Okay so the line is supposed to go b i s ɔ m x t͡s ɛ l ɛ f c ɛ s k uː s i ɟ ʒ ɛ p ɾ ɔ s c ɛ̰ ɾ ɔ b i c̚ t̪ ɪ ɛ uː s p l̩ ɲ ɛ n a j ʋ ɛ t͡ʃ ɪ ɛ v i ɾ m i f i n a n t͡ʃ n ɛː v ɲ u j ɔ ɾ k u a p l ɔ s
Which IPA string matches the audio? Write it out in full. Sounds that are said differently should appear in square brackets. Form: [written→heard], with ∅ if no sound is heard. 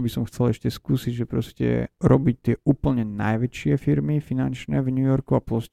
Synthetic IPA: b i s ɔ m x t͡s ɛ l ɛ [f→ʃ] c ɛ s k uː s i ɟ ʒ ɛ p ɾ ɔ s c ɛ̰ ɾ ɔ b i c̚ t̪ ɪ ɛ uː [s→∅] p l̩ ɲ ɛ n a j ʋ ɛ t͡ʃ ɪ ɛ [v→f] i ɾ m i f i n a n t͡ʃ n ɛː v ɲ u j ɔ ɾ k u a p l ɔ s